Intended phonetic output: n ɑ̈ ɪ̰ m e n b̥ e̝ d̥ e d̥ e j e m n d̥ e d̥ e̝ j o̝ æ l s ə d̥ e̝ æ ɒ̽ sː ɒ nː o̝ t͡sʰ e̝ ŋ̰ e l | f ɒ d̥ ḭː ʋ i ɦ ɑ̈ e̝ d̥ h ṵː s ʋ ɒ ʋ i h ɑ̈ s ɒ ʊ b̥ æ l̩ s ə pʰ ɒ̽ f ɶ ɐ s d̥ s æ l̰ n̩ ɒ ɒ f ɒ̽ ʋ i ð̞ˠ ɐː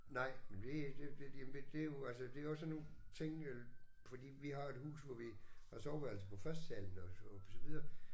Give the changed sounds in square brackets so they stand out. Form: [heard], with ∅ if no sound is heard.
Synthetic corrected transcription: n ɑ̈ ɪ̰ m e n [d̥] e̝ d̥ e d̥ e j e m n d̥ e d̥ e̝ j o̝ æ l s ə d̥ e̝ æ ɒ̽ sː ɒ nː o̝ t͡sʰ e̝ ŋ̰ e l | f ɒ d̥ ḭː ʋ i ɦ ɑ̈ e̝ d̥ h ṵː s ʋ ɒ ʋ i h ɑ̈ s ɒ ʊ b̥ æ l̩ s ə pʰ ɒ̽ f ɶ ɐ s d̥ s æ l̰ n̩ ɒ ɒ [s] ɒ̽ ʋ i ð̞ˠ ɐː